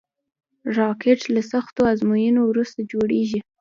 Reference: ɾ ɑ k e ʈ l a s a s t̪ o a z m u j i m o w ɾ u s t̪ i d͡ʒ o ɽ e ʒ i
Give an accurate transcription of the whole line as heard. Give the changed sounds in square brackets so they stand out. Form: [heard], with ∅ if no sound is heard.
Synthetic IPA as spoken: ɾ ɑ k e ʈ l a s a [x] t̪ o a z m u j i [n] o w ɾ u s t̪ [a] d͡ʒ o ɽ e ʒ i